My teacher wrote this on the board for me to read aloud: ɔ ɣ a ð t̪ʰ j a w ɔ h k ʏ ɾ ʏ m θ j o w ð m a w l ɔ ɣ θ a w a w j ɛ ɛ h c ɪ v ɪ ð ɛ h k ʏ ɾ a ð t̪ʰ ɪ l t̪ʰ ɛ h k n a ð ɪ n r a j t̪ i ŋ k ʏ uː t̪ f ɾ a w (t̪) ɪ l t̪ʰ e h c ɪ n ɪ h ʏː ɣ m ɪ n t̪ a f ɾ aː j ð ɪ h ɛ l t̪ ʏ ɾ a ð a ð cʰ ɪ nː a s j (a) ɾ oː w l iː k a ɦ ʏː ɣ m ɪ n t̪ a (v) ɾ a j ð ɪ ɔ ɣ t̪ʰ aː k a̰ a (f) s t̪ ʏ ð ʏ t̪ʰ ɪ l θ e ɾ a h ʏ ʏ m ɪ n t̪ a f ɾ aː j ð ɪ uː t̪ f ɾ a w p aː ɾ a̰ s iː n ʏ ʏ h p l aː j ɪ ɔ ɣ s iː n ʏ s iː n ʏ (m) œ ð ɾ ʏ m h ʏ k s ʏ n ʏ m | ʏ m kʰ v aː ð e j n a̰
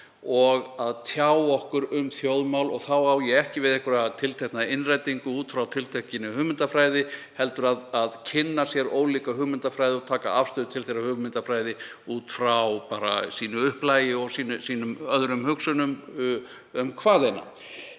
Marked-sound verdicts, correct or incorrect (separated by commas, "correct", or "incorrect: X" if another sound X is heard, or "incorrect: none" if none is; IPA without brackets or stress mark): incorrect: t̪ʰ, incorrect: ɛ, incorrect: f, correct, correct